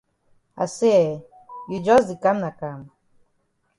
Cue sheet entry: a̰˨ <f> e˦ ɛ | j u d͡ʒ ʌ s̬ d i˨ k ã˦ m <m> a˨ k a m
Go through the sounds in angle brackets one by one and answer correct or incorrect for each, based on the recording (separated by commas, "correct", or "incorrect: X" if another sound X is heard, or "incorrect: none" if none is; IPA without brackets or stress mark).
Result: incorrect: s, incorrect: n